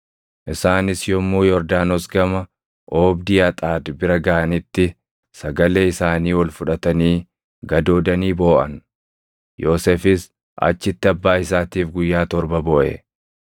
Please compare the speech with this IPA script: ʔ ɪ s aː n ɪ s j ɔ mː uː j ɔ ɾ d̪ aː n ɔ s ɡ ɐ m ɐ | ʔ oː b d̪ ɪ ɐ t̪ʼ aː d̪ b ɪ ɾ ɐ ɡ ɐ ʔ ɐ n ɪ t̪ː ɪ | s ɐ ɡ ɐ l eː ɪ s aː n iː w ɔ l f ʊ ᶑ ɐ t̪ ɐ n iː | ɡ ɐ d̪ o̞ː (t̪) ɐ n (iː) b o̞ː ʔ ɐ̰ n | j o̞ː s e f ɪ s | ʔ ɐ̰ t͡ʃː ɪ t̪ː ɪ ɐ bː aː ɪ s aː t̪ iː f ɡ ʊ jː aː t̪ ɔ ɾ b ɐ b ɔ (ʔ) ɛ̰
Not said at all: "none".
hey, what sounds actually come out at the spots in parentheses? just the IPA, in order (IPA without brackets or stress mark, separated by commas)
d̪, iː, ʔ